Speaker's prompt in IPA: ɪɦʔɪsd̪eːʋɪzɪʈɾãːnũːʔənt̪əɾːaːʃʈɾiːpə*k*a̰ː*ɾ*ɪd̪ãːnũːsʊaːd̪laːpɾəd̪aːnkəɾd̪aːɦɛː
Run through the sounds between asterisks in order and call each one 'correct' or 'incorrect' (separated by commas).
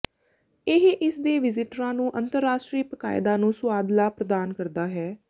correct, incorrect